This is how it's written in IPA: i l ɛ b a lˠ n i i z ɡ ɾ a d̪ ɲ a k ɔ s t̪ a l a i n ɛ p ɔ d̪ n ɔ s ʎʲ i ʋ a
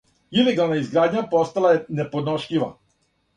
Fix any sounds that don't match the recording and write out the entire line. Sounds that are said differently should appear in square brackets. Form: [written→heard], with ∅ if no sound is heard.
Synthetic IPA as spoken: i l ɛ [b→ɡ] a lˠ n [i→a] i z ɡ ɾ a d̪ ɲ a [k→p] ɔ s t̪ a l a [i→ɛ] n ɛ p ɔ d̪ n ɔ [s→ʃ] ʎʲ i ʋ a